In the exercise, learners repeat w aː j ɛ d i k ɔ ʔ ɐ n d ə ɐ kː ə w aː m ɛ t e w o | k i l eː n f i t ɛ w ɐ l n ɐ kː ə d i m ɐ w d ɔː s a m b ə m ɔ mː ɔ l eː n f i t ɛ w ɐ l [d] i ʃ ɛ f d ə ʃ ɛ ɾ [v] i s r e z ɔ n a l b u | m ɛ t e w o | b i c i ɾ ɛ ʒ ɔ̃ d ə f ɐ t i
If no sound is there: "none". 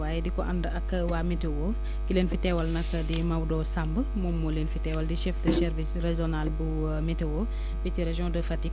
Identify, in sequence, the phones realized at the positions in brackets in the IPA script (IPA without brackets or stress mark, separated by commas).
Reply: d, v